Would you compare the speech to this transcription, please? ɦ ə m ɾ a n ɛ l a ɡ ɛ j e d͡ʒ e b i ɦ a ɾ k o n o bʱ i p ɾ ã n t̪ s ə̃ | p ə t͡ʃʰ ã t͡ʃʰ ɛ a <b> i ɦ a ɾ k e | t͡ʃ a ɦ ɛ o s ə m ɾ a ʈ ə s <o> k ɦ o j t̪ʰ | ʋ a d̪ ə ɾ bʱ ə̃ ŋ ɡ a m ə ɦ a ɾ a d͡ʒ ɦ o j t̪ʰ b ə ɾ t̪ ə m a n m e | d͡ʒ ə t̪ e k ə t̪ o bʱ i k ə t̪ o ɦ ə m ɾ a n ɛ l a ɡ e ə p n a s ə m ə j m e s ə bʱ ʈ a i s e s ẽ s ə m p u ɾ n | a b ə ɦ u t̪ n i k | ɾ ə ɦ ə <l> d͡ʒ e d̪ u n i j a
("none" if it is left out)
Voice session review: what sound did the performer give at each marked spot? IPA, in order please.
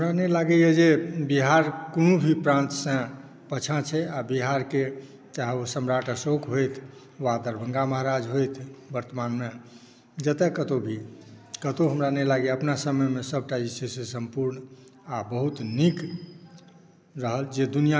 b, o, l

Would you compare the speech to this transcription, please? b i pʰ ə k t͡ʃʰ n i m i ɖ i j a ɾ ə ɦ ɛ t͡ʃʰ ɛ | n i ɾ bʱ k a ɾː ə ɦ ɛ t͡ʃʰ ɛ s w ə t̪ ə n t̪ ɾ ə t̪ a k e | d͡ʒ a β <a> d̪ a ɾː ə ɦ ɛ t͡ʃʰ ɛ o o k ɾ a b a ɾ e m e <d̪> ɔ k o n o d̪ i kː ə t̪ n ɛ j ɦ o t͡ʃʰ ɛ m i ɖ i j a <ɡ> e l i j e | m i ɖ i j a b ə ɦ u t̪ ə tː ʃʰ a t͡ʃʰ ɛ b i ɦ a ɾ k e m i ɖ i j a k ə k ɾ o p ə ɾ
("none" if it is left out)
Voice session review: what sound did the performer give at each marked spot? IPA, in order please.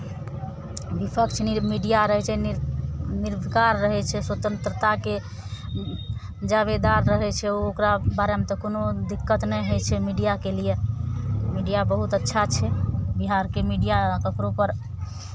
e, t̪, k

